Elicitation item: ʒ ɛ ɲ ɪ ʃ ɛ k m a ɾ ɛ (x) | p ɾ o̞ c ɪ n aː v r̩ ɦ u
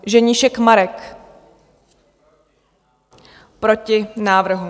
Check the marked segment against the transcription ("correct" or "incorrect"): incorrect